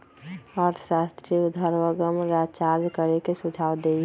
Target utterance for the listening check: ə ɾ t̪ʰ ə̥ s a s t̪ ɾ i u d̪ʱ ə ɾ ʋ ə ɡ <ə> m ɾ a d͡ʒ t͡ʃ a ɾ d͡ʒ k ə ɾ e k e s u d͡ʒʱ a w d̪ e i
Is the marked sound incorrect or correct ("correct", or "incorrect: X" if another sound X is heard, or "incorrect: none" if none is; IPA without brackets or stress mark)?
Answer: correct